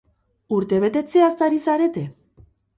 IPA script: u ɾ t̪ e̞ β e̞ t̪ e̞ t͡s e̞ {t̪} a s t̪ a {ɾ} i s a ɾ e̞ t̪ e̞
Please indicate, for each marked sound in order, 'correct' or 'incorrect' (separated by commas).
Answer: incorrect, correct